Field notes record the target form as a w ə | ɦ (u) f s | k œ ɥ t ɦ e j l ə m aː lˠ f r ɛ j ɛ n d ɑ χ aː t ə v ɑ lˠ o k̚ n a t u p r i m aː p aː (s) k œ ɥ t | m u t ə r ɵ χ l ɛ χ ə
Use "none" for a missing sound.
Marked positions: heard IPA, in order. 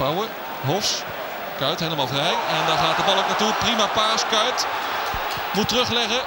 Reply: ɔ, s

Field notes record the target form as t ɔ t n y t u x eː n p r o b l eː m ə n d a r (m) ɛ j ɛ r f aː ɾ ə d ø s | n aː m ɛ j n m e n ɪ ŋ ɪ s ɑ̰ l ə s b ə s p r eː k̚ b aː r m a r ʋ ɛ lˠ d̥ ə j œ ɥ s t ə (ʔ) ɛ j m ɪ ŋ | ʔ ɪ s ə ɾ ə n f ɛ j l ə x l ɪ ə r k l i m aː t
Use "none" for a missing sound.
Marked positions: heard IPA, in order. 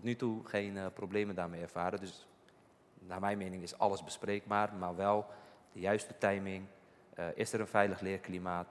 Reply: m, t

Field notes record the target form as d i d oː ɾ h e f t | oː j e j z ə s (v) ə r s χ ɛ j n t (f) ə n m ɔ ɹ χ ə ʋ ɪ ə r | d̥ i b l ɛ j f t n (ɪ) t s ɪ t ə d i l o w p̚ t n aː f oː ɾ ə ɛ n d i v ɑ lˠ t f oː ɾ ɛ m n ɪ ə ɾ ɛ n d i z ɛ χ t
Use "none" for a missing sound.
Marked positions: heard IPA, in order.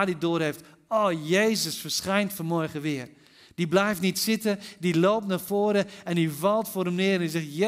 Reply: f, f, i

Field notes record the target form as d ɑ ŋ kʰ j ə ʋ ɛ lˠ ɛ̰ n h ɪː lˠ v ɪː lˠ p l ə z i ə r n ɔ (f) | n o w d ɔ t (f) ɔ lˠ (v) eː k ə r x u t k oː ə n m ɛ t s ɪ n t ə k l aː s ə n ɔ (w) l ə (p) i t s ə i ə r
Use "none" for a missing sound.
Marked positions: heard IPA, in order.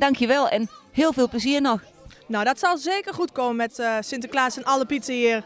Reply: x, s, z, none, p

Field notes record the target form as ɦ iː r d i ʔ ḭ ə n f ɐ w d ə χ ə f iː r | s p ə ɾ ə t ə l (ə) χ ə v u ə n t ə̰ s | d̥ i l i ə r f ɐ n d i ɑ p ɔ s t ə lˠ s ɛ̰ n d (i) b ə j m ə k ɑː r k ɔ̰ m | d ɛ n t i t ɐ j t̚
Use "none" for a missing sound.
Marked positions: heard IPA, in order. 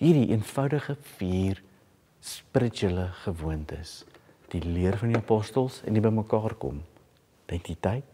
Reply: ə, i

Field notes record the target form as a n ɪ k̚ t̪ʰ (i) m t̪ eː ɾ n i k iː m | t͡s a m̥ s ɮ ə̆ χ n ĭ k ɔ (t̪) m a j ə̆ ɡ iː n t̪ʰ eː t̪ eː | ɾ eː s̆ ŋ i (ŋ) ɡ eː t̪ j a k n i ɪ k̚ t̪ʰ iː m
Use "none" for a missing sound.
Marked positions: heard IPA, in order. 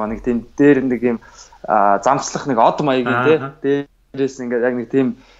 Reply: iː, t̪, ŋ

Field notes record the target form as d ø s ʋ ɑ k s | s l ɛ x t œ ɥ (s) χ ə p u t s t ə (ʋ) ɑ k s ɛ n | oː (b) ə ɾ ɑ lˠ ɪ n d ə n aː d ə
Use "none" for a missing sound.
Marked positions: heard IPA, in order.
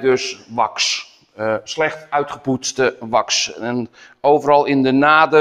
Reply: t, ʋ, v

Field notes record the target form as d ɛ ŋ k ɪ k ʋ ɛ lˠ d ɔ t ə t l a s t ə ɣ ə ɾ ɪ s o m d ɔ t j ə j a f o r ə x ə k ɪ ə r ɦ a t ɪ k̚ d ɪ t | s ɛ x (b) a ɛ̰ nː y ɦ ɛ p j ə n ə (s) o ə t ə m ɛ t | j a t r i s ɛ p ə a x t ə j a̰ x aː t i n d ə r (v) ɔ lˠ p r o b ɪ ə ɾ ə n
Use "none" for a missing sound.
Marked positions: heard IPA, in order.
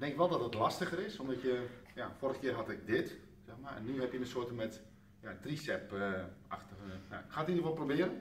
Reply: m, s, ʋ

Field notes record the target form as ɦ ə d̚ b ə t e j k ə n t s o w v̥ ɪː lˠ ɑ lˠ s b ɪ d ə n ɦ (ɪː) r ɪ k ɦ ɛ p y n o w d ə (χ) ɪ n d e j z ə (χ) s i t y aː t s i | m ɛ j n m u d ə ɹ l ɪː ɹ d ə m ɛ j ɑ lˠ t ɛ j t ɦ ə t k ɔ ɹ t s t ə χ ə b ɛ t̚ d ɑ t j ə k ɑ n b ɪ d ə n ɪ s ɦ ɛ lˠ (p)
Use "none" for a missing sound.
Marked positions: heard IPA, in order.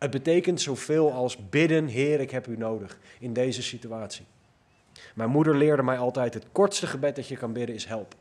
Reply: ɪː, χ, none, p

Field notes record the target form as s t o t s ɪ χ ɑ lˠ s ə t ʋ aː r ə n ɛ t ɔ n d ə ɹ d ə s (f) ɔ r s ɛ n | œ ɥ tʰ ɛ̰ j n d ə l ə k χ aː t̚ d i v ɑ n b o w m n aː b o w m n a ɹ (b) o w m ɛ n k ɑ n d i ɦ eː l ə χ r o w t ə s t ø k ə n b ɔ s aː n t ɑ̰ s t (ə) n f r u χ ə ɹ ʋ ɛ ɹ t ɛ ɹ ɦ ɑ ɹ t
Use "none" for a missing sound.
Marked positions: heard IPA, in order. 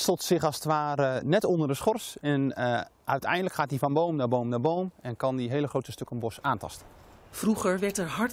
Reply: χ, b, ə

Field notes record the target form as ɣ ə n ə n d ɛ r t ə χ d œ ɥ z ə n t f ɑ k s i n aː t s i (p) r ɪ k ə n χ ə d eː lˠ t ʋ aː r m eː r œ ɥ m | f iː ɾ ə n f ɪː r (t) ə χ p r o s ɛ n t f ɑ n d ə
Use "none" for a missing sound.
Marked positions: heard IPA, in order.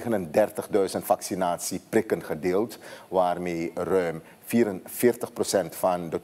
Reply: p, t

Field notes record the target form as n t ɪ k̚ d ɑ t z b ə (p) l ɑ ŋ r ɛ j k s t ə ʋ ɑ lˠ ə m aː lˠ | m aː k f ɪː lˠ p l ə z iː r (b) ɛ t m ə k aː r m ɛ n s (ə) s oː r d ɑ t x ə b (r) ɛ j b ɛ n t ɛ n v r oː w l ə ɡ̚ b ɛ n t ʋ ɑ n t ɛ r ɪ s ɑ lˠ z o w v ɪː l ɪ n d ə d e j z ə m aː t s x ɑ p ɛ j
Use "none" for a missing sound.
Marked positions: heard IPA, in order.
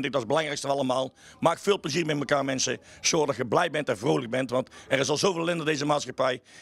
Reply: none, m, ə, l

